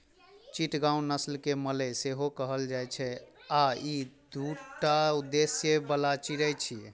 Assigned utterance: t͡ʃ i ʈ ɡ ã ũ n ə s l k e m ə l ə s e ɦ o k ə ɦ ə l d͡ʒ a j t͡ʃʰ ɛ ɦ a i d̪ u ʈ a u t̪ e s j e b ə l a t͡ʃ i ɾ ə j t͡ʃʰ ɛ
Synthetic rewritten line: t͡ʃ i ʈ ɡ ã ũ n ə s l k e m ə l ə s e ɦ o k ə ɦ ə l d͡ʒ a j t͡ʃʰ ɛ a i d̪ u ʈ a u d̪ e s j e b ə l a t͡ʃ i ɾ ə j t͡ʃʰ i